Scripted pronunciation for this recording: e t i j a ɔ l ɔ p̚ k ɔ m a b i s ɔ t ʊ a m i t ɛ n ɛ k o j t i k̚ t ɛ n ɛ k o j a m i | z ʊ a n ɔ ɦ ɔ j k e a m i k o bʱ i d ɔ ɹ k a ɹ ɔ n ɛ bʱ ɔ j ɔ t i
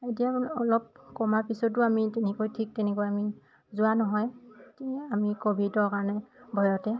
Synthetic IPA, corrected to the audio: e t i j a ɔ l ɔ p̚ k ɔ m a p i s ɔ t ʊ a m i t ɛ n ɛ k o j tʰ i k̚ t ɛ n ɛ k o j a m i | z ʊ a n ɔ ɦ ɔ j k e a m i k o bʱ i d ɔ ɹ k a ɹ ɔ n ɛ bʱ ɔ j ɔ t ɛ